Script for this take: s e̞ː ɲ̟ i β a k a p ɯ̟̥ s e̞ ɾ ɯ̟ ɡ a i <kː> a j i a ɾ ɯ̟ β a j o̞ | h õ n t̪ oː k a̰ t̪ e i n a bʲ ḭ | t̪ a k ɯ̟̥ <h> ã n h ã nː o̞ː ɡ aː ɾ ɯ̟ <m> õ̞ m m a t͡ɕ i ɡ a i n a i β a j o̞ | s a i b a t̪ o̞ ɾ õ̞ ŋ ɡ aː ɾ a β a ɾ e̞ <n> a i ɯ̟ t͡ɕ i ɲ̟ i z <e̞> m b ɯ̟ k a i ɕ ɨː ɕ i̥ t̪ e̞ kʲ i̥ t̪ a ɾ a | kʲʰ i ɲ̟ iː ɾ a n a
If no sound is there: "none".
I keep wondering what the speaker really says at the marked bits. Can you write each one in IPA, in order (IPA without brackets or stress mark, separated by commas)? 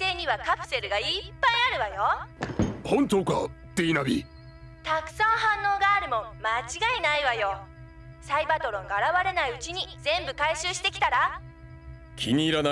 pː, s, m, n, ẽ̞